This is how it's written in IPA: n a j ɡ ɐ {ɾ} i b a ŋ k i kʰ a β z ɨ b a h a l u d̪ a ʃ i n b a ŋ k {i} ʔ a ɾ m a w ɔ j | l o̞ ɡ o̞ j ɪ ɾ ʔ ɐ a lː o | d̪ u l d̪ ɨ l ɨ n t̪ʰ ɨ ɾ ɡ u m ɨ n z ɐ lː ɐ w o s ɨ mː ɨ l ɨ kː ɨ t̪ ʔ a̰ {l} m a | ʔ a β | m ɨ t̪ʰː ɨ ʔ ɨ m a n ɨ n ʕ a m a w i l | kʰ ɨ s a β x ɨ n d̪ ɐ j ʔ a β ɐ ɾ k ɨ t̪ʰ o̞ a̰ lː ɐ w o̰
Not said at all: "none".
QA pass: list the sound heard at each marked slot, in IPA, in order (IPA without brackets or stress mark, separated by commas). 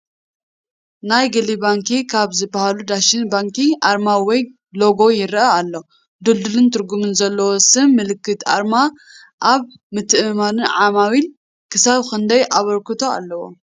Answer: l, i, ɾ